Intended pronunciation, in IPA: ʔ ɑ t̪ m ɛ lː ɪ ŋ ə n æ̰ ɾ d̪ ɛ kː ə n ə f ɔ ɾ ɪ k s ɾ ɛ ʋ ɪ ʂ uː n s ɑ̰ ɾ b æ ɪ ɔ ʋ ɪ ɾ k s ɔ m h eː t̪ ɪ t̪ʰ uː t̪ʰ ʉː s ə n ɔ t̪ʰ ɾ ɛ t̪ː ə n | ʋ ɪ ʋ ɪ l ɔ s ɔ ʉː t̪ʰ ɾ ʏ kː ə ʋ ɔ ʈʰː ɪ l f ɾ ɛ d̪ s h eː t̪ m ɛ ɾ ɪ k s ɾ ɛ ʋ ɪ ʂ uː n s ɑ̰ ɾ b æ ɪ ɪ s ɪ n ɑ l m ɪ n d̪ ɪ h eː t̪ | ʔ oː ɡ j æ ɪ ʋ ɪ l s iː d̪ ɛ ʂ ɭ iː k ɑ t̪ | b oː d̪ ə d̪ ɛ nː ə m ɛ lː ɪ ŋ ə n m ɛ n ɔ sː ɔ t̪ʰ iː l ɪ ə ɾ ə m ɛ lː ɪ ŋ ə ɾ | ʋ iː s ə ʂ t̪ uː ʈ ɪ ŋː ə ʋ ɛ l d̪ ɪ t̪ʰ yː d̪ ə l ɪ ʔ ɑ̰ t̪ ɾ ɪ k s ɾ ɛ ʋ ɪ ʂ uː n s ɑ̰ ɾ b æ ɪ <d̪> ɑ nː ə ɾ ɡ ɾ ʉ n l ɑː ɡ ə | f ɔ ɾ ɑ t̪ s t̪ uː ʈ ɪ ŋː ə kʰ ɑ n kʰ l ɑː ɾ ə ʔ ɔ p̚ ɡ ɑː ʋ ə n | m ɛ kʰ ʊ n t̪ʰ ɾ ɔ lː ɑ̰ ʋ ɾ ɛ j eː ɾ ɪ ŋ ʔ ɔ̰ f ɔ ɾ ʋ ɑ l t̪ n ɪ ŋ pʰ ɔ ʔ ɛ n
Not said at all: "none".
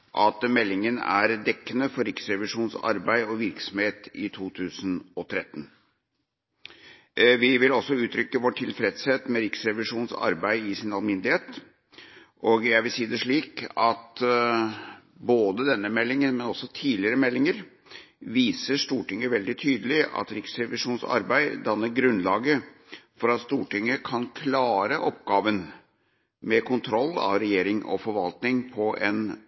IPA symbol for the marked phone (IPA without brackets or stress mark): d̪